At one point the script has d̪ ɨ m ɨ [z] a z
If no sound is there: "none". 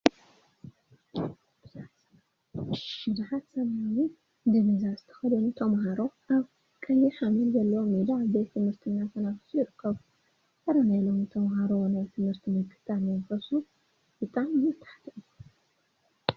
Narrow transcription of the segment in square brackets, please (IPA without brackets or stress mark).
z